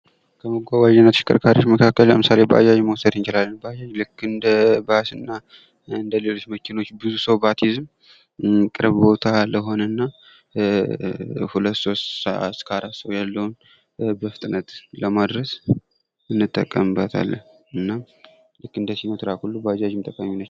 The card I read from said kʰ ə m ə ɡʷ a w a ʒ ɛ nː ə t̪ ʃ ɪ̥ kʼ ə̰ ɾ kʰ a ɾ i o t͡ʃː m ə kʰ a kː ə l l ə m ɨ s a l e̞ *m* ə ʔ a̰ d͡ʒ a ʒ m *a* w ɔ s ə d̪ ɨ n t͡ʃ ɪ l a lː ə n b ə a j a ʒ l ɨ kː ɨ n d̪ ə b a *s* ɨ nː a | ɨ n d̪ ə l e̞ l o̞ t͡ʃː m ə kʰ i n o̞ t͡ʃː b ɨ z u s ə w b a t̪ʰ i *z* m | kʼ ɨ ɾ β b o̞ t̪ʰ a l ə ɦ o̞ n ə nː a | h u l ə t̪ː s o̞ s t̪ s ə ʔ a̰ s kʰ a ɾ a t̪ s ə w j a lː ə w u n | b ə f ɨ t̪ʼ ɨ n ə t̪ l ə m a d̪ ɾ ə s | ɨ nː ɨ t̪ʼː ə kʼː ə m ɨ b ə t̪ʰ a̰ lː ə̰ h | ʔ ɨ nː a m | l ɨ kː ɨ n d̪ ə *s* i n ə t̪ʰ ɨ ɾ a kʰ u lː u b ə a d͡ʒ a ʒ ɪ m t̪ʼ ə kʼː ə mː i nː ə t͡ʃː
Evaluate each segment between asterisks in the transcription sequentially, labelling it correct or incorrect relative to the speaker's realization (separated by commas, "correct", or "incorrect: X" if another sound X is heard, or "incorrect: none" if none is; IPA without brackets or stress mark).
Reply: incorrect: b, incorrect: ə, correct, correct, correct